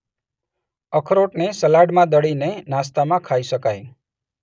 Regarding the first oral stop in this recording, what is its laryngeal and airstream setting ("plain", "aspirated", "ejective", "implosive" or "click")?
aspirated